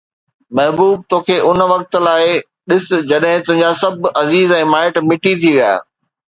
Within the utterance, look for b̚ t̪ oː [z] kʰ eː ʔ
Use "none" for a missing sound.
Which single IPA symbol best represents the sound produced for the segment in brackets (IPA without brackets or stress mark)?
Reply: none